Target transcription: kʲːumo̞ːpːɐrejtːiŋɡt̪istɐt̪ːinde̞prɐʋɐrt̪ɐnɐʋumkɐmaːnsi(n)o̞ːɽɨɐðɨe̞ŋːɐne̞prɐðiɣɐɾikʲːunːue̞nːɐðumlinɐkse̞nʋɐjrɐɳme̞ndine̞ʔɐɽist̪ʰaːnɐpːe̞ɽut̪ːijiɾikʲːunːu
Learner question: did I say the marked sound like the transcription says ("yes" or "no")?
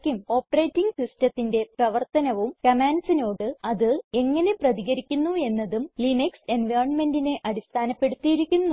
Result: yes